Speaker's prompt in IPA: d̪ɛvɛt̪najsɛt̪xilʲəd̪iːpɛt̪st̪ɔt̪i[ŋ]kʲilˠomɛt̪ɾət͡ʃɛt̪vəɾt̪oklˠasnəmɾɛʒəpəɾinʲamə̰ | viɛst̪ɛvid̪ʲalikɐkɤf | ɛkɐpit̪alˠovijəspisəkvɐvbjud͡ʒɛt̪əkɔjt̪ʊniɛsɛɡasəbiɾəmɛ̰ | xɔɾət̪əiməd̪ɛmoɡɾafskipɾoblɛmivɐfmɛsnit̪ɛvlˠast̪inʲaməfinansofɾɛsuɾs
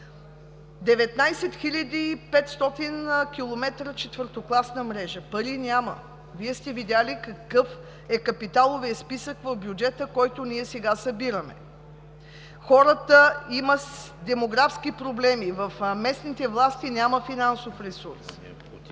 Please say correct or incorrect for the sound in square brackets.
incorrect